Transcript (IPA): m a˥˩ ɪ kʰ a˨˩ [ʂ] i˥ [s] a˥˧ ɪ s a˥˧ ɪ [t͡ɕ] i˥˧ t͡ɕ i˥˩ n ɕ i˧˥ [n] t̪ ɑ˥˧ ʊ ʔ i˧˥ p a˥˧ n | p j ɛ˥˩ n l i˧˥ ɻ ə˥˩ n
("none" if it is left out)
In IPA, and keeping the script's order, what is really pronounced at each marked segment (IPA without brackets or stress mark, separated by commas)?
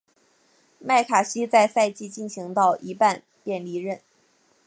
ɕ, t͡s, t͡ɕ, ŋ